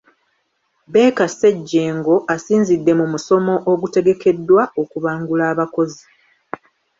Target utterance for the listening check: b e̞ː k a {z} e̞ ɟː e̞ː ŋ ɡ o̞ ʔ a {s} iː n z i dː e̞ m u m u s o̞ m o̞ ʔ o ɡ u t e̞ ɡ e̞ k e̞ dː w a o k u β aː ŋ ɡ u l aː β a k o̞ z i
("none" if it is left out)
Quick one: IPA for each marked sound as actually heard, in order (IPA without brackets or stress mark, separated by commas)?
s, s